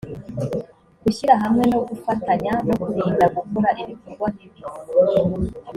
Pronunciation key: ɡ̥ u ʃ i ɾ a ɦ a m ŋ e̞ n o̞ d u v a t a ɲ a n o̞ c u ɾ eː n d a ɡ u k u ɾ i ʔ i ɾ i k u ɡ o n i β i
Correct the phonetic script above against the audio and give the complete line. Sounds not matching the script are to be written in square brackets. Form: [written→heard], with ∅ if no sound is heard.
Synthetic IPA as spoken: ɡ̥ u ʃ i ɾ a ɦ a m ŋ e̞ n o̞ [d→ɡ] u [v→f] a t a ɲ a n o̞ [c→k] u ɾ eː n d a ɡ u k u ɾ [i→a] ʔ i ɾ i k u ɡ o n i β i